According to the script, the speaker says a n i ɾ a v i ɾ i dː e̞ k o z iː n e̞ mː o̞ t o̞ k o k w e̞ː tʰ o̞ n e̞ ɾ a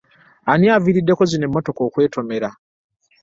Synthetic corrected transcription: a n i a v i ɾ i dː e̞ k o z i n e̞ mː o̞ t o̞ k o k w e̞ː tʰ o̞ m e̞ ɾ a